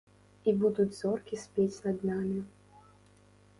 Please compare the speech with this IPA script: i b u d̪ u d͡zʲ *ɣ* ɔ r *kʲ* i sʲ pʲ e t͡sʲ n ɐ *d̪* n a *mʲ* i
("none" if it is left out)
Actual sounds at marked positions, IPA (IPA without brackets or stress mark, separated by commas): z, kʲ, d̪, mʲ